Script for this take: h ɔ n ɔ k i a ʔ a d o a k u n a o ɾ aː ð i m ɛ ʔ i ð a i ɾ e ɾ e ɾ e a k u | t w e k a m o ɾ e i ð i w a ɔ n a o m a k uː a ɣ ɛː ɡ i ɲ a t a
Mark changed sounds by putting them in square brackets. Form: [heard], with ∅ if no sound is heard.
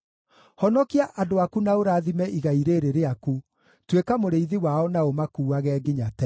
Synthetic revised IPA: h ɔ n ɔ k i a ʔ a d o a k u n a o ɾ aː ð i m ɛ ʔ i [ɣ] a i ɾ e ɾ e ɾ e a k u | t w e k a m o ɾ e i ð i w a ɔ n a o m a k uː a ɣ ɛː ɡ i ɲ a t [ɛ]